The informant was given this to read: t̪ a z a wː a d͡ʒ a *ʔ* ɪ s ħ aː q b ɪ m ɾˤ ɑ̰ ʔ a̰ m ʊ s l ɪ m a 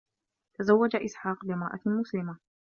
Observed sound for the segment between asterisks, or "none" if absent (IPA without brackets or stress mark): ʔ